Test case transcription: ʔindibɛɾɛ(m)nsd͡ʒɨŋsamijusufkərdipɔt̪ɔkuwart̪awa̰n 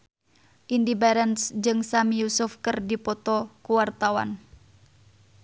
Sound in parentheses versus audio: incorrect: none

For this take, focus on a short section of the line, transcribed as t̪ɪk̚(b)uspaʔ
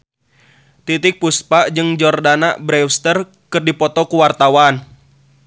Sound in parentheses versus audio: incorrect: p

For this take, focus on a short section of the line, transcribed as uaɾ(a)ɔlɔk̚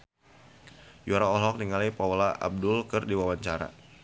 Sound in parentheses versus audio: correct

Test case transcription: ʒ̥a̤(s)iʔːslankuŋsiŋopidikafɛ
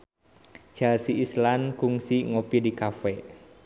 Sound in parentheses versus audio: correct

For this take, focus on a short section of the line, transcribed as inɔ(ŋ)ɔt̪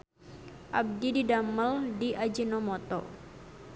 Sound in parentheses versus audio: incorrect: m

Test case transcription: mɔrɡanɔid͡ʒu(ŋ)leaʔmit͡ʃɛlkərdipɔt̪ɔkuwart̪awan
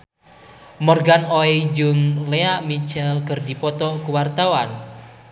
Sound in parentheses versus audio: correct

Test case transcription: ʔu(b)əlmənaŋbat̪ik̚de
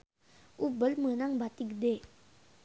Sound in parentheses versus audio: correct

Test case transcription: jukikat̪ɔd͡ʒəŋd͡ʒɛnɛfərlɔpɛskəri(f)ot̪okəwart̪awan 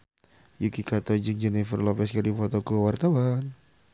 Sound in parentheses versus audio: correct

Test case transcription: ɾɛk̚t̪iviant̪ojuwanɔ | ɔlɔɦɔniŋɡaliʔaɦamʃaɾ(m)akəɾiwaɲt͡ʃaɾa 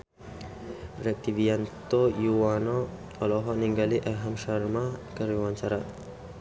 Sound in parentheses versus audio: correct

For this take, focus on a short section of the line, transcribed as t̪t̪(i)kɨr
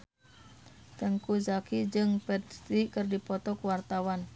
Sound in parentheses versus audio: correct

